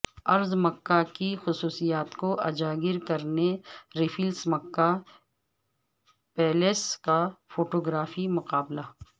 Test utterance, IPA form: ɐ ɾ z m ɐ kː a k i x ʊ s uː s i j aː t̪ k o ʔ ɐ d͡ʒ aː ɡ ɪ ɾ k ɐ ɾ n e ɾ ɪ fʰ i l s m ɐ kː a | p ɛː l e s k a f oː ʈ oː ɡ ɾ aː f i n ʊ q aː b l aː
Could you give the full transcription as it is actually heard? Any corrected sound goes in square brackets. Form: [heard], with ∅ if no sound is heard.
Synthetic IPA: ɐ ɾ z m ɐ kː a k i x ʊ s uː s i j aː t̪ k o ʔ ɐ d͡ʒ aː ɡ ɪ ɾ k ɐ ɾ n e ɾ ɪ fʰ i l s m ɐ kː a | p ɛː l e s k a f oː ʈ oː ɡ ɾ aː f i [m] ʊ q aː b l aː